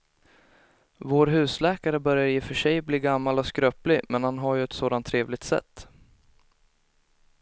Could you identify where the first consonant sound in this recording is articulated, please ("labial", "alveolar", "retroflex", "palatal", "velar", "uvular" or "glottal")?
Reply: labial